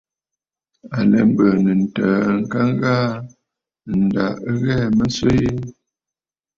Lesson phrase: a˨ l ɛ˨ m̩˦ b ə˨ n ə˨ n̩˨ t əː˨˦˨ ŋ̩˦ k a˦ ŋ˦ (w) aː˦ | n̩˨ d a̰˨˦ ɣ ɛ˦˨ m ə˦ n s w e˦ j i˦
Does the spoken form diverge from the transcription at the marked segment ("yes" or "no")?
yes